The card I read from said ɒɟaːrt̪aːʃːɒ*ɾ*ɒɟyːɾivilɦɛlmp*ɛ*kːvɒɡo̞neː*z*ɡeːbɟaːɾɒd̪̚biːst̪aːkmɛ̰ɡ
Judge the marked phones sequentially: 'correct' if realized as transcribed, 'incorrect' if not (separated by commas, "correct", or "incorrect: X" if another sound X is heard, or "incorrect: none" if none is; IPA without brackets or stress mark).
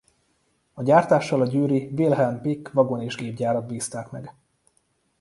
incorrect: l, incorrect: i, incorrect: ʒ